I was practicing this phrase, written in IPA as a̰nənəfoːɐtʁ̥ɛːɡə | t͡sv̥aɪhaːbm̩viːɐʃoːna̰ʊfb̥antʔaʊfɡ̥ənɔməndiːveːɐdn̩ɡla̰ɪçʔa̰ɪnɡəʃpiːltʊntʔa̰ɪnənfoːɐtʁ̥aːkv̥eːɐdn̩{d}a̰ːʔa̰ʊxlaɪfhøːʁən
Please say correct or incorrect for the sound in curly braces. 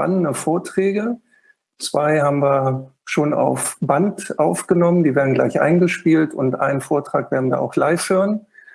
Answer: correct